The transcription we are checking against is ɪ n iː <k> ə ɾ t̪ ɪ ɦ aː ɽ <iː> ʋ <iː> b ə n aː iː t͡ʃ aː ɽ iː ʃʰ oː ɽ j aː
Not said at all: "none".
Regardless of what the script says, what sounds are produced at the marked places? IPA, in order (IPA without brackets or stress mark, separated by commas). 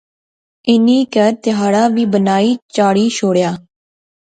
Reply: k, aː, iː